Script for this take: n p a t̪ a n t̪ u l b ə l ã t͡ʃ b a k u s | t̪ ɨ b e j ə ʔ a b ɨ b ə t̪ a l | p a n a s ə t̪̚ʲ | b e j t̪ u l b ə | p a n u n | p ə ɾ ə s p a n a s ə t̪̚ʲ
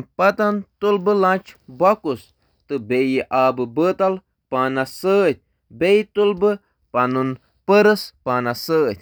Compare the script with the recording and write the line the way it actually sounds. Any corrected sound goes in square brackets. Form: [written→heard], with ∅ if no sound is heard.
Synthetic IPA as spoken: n p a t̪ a n t̪ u l b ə l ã t͡ʃ b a k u s | t̪ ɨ b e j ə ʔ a b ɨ b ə t̪ a l | p a n a s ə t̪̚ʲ | b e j t̪ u l b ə | p a n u n | p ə ɾ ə s p a n a s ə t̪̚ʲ